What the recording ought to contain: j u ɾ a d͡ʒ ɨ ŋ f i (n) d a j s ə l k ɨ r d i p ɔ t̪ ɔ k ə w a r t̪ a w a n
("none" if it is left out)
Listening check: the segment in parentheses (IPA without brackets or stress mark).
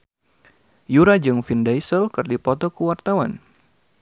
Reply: n